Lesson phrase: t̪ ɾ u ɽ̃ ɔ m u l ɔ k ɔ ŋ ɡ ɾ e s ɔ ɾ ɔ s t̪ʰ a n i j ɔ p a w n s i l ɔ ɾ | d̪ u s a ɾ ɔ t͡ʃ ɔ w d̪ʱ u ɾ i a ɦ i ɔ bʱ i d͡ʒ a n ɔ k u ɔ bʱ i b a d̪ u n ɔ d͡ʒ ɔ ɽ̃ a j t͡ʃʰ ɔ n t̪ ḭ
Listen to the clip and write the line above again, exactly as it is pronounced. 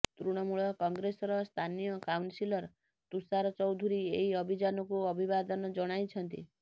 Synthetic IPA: t̪ ɾ u ɽ̃ ɔ m u ɭ ɔ k ɔ ŋ ɡ ɾ e s ɔ ɾ ɔ s t̪ʰ a n i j ɔ k a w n s i l ɔ ɾ | t̪ u s a ɾ ɔ t͡ʃ ɔ w d̪ʱ u ɾ i e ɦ i ɔ bʱ i d͡ʒ a n ɔ k u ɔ bʱ i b a d̪ ɔ n ɔ d͡ʒ ɔ ɽ̃ a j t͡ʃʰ ɔ n t̪ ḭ